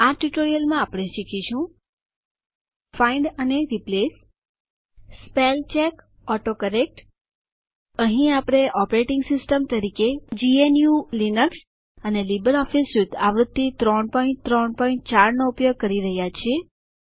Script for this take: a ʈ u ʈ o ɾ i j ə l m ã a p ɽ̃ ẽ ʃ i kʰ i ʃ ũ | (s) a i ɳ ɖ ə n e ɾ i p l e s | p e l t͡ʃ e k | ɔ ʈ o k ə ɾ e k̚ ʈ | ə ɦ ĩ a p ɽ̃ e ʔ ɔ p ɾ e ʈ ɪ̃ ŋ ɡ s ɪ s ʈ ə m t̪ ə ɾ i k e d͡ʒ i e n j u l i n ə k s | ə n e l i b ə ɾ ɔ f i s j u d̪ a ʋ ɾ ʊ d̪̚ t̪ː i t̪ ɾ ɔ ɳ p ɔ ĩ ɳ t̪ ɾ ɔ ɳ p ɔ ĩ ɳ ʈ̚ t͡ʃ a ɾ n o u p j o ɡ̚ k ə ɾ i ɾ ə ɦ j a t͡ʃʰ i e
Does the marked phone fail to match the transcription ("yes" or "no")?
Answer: yes